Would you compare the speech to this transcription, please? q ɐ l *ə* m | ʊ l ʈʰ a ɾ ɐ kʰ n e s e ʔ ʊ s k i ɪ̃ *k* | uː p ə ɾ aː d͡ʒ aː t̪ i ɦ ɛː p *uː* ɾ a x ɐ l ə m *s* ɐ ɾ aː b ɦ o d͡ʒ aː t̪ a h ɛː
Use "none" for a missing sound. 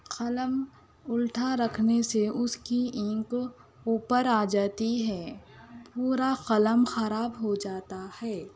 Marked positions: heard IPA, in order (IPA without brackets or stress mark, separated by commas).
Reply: ə, k, uː, x